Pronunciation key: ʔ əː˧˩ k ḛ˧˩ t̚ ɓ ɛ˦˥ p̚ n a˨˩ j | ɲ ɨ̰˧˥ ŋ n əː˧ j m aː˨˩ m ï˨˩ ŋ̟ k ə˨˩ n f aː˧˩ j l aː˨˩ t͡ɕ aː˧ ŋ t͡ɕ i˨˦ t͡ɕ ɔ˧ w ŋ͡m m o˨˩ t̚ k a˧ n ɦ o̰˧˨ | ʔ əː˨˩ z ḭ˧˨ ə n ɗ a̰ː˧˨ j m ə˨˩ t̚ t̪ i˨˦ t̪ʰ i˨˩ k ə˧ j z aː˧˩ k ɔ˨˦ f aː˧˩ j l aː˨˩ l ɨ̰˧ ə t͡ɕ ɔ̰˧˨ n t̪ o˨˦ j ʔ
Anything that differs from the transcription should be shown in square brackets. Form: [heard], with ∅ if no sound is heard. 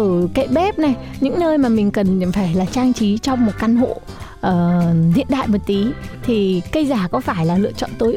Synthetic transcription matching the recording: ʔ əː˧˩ k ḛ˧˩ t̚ ɓ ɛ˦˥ p̚ n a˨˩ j | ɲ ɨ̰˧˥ ŋ n əː˧ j m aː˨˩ m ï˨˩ ŋ̟ k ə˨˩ n f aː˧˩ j l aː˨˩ t͡ɕ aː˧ ŋ t͡ɕ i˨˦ t͡ɕ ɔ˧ w ŋ͡m m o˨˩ t̚ k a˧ n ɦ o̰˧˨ | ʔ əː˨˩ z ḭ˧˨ ə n ɗ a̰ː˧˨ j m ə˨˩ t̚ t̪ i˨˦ t̪ʰ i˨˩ k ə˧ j z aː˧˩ k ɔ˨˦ f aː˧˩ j l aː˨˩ l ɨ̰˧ ə t͡ɕ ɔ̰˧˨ n t̪ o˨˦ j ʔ